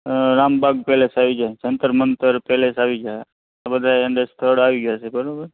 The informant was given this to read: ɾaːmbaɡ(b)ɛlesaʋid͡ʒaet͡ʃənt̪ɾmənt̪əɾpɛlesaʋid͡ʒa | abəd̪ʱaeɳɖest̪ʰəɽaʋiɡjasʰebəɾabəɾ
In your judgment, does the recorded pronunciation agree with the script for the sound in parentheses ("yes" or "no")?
no